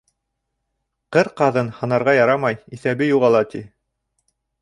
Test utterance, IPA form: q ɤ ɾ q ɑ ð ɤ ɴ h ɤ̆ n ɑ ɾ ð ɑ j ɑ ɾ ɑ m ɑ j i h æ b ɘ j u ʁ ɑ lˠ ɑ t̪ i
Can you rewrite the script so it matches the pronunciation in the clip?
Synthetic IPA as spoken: q ɤ ɾ q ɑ ð ɤ n h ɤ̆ n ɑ ɾ ʁ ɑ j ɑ ɾ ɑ m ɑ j i θ æ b ɘ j u ʁ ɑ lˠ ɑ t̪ i